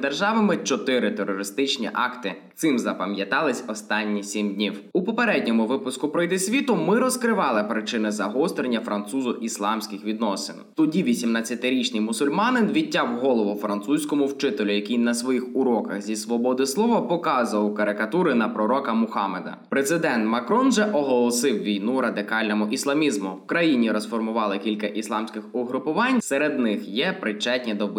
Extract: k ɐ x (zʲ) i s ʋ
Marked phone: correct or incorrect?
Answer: correct